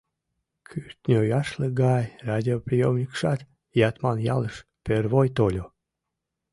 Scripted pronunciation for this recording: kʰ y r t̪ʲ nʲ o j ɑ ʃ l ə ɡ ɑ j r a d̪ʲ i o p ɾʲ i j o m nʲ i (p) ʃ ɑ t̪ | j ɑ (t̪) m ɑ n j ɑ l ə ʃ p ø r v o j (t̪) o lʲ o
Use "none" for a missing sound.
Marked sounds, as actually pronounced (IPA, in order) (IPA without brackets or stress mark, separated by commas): k, t̪, t̪